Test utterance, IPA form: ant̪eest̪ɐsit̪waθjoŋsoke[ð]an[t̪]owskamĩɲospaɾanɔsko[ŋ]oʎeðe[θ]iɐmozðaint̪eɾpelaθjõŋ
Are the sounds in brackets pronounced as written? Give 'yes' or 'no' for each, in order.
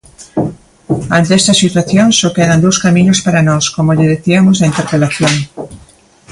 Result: yes, no, no, yes

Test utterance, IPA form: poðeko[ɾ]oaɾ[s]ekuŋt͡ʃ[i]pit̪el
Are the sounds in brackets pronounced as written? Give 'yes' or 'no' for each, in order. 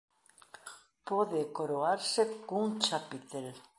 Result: yes, yes, no

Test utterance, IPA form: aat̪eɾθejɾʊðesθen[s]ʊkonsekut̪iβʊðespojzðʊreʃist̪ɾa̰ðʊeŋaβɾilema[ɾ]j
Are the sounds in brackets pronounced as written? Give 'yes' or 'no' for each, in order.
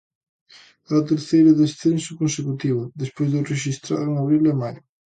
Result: yes, no

